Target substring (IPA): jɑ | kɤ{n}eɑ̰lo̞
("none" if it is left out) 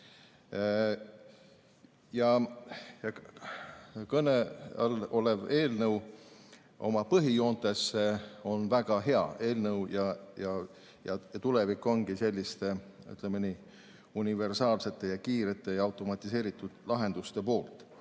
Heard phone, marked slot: n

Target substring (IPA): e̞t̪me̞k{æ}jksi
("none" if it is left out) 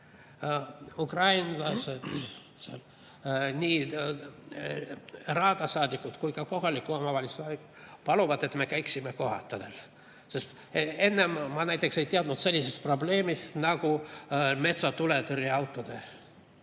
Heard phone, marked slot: æ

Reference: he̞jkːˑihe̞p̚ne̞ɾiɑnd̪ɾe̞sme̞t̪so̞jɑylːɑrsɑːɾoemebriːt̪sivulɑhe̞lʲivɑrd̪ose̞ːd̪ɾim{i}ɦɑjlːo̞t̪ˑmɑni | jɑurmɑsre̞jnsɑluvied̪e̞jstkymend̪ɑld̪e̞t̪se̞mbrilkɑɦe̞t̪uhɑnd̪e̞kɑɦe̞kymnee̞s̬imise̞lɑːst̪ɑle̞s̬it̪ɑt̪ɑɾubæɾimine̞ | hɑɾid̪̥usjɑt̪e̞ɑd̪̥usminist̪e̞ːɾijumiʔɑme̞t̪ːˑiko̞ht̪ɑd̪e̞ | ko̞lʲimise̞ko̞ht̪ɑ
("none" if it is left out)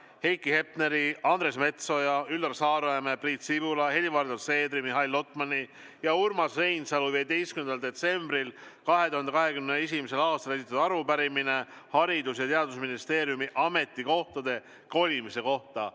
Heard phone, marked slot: i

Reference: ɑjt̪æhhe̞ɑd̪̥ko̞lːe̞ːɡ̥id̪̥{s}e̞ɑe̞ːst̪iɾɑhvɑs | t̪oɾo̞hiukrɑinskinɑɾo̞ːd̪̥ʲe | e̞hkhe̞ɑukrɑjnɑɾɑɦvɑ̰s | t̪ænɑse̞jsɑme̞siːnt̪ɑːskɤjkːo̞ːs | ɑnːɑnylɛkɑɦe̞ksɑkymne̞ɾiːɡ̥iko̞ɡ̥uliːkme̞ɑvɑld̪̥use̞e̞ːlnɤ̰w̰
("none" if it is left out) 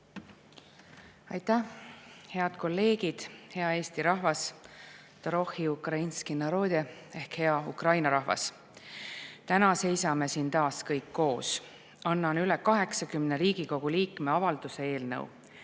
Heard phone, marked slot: h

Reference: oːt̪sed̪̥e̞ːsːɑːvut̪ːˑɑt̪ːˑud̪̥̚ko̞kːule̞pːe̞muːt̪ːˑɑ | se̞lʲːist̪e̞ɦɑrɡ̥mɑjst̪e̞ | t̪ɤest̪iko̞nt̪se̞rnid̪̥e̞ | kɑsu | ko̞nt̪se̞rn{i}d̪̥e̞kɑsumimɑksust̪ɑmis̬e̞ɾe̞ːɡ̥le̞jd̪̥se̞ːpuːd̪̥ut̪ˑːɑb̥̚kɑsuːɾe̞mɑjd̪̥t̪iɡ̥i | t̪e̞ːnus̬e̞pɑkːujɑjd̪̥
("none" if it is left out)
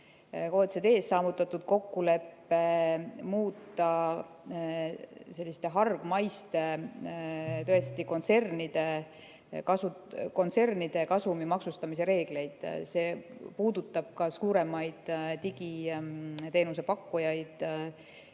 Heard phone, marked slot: i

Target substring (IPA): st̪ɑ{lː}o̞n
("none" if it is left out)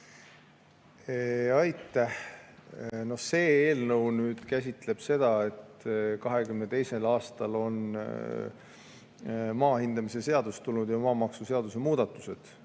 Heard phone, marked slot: l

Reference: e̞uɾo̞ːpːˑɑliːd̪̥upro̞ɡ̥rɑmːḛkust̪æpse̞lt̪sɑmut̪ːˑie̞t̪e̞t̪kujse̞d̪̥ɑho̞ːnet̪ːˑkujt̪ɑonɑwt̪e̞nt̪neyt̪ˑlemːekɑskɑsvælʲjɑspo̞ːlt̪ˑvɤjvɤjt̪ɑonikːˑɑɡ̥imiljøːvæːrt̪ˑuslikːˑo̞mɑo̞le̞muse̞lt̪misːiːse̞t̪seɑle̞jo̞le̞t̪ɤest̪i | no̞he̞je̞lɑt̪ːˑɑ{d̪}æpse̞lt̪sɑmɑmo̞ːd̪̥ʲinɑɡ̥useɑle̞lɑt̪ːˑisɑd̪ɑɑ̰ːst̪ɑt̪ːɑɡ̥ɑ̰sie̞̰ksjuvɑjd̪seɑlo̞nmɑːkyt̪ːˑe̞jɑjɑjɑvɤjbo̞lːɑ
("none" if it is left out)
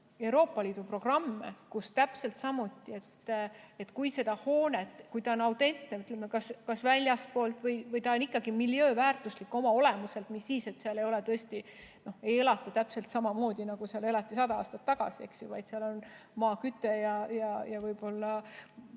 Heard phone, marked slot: t̪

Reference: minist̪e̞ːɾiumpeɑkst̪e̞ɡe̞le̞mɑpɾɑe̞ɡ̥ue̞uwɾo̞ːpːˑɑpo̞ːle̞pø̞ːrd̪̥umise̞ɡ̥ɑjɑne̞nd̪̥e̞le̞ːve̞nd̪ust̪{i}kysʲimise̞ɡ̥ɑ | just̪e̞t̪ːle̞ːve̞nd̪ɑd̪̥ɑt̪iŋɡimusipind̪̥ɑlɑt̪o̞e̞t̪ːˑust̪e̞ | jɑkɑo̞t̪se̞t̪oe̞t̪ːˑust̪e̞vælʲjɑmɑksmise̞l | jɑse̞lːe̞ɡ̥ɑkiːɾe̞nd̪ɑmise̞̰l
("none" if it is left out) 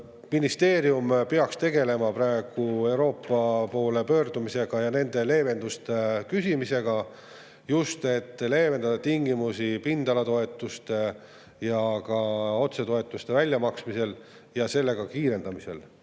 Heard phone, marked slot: e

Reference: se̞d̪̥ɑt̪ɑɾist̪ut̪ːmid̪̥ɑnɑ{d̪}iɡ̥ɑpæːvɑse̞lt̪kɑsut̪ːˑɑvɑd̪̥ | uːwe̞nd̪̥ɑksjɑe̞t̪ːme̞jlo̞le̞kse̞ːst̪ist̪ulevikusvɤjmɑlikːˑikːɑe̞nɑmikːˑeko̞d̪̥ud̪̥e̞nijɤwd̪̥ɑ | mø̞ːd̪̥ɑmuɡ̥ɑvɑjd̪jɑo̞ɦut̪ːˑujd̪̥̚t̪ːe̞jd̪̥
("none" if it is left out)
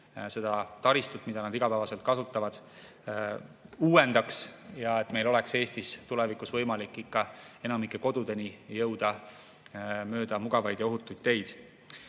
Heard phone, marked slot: d̪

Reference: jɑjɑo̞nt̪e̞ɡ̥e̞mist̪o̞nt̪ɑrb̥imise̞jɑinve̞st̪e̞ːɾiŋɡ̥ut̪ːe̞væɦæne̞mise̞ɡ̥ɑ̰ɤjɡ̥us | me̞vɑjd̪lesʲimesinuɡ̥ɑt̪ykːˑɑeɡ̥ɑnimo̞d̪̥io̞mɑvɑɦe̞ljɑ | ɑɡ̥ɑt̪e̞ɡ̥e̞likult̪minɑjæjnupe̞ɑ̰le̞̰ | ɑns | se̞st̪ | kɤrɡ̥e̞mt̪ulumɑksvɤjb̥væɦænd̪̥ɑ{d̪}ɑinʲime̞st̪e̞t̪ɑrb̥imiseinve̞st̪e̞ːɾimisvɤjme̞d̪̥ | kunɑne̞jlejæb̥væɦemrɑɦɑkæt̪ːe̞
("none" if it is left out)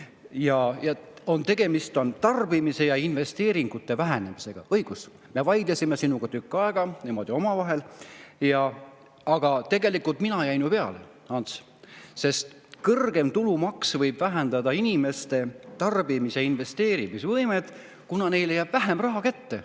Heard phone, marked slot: d̪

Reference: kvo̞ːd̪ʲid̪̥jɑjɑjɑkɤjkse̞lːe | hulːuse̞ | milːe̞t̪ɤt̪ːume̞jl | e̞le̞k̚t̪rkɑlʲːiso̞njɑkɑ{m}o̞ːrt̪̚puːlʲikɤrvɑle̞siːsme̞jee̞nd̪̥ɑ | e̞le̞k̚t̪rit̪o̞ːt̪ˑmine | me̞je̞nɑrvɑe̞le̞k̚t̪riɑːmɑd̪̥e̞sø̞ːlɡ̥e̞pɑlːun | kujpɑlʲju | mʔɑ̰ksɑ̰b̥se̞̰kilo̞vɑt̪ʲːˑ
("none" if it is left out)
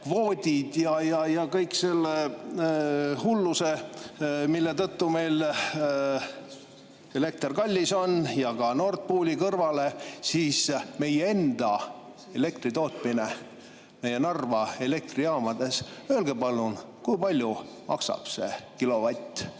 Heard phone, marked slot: n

